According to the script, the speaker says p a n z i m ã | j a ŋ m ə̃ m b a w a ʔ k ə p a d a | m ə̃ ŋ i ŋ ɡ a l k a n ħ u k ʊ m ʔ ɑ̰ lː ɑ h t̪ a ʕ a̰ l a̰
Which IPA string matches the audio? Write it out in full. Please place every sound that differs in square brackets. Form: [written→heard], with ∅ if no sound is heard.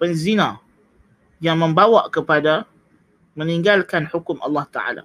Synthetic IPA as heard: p [a→ə] n z i [m→n] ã | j a ŋ m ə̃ m b a w a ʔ k ə p a d a | m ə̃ [ŋ→n] i ŋ ɡ a l k a n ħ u k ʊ m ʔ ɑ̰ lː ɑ h t̪ a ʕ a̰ l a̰